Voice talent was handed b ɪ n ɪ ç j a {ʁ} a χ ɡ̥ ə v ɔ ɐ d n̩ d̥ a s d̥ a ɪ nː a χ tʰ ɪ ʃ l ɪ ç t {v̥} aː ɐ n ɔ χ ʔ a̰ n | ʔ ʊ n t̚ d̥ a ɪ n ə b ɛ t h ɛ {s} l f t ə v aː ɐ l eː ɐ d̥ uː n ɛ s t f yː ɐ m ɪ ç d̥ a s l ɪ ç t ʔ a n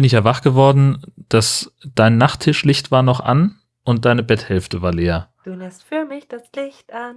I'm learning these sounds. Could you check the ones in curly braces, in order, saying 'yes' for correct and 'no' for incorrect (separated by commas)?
no, yes, no